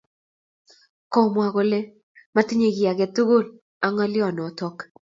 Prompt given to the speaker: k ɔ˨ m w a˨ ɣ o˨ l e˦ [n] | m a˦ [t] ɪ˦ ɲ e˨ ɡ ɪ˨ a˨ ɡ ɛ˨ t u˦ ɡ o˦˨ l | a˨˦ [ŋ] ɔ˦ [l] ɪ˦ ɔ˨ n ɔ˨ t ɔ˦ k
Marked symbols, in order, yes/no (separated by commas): no, yes, yes, yes